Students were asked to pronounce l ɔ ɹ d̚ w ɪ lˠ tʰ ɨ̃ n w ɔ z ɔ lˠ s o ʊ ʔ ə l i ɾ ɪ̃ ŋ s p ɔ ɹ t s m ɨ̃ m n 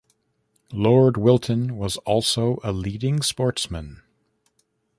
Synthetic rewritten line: l ɔ ɹ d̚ w ɪ lˠ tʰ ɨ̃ n w ʌ z ɔ lˠ s o ʊ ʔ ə l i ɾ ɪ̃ ŋ s p ɔ ɹ t s m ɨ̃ n